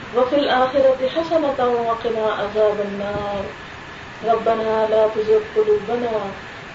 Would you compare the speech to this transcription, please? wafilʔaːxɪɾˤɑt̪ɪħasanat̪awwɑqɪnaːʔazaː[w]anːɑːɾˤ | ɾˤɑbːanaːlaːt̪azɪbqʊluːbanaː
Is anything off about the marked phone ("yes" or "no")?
yes